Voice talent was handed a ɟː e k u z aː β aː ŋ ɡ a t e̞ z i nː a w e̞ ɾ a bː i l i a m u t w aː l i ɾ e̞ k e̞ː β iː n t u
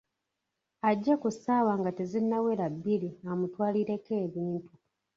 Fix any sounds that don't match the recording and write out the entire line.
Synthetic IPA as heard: a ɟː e k u s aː w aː ŋ ɡ a t e̞ z i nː a w e̞ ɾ a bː i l i a m u t w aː l i ɾ e̞ k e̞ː β iː n t u